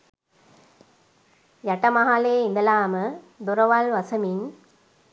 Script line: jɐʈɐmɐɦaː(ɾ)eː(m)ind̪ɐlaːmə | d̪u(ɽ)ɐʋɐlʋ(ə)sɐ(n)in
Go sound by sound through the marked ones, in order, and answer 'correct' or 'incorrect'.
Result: incorrect: l, incorrect: none, incorrect: ɾ, incorrect: ɐ, incorrect: m

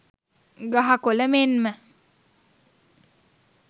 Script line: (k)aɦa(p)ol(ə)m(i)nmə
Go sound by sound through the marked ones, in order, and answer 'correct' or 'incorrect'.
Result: incorrect: ɡ, incorrect: k, correct, incorrect: e

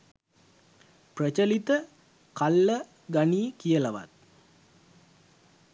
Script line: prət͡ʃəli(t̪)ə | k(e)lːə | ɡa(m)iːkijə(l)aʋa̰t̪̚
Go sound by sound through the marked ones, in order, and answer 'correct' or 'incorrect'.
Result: correct, incorrect: a, incorrect: n, correct

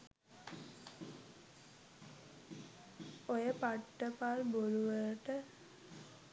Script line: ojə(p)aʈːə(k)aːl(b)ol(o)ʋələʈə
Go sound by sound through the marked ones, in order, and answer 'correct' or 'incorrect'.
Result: correct, incorrect: p, correct, incorrect: u

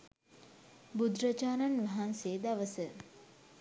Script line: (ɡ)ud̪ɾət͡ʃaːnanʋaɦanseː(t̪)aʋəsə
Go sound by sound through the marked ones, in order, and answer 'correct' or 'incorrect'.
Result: incorrect: b, incorrect: d̪

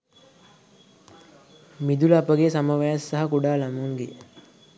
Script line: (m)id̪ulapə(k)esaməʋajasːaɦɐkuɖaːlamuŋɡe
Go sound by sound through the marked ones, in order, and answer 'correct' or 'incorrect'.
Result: correct, incorrect: ɡ

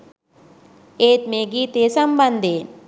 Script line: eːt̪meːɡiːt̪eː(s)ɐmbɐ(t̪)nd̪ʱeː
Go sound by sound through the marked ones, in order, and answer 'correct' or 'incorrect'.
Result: correct, incorrect: none

